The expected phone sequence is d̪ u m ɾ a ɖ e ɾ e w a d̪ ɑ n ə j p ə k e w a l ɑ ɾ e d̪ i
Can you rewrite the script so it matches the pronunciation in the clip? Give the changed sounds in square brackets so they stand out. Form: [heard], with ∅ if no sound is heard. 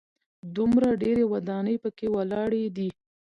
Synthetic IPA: d̪ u m ɾ a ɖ e ɾ e w a d̪ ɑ n ə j p ə k e w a l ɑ [ɽ] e d̪ i

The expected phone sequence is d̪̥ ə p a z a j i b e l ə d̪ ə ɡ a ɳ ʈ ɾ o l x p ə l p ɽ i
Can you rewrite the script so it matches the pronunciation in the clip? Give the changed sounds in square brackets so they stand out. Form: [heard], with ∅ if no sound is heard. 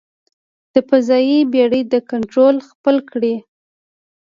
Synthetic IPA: d̪̥ ə p a z [ɑ] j i b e [ɽ] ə d̪ ə [k] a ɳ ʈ ɾ o l x p ə l [k] ɽ i

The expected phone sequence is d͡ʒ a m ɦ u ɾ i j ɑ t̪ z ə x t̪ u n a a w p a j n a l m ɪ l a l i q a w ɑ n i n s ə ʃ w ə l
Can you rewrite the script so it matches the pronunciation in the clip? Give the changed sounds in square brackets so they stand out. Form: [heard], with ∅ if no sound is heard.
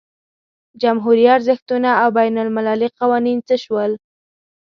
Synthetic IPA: d͡ʒ a m ɦ u ɾ i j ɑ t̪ z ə x t̪ u n a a w [b] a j n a l m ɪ l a l i q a w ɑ n i n [t͡s] ə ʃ w ə l

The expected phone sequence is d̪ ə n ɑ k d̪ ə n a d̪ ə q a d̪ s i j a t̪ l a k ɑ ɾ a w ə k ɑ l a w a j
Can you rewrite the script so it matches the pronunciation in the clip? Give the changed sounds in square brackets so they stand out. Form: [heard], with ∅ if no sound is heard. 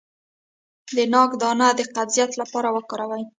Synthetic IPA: d̪ ə n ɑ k d̪ [ɑ] n a d̪ ə q a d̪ [z] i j a t̪ l a [p] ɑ ɾ a w ə k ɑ [ɾ] a w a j

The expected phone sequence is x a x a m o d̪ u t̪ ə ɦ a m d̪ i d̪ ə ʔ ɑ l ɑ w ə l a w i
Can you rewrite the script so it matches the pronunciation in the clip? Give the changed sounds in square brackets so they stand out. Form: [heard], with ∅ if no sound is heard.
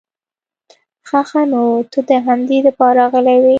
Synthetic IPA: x a x a [n] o [t̪] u [d̪] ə ɦ a m d̪ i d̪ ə [p] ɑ [ɾ] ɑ [ɣ] ə l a w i

